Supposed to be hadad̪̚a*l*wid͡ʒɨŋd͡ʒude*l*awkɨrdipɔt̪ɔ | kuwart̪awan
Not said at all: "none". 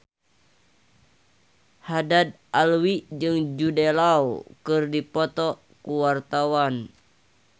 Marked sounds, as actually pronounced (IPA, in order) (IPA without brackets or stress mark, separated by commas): l, l